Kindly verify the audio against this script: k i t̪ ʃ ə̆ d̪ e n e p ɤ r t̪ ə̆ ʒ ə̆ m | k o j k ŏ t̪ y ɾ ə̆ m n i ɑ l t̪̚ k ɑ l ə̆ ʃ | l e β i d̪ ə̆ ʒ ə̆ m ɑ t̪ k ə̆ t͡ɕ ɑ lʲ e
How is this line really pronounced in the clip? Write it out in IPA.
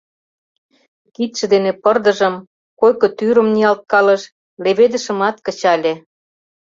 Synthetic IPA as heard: k i t̪ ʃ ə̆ d̪ e n e p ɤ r d̪ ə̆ ʒ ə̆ m | k o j k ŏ t̪ y ɾ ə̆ m n i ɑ l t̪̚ k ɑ l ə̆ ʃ | l e β e d̪ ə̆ ʃ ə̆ m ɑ t̪ k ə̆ t͡ɕ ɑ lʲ e